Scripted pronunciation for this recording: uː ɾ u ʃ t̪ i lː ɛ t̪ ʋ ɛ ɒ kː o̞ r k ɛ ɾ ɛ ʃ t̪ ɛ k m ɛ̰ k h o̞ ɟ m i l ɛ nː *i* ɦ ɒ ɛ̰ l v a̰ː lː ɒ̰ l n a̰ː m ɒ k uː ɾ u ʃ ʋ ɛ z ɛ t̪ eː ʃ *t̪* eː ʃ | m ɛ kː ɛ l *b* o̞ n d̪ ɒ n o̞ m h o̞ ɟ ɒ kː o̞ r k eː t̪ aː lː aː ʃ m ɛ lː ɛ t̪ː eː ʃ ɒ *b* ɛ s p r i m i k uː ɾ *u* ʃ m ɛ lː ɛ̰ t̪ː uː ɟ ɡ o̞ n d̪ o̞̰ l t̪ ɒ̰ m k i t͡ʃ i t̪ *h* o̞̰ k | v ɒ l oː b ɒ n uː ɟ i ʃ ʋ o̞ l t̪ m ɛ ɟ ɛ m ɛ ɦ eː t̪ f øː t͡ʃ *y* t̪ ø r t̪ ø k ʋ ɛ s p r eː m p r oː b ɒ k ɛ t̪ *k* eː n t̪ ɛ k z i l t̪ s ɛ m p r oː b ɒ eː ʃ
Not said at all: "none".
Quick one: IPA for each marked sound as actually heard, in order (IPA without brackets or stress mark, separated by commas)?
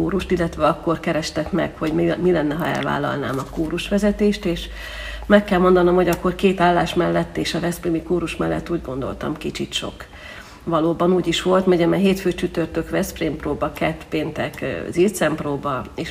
ɛ, t̪, m, v, u, ʃ, y, p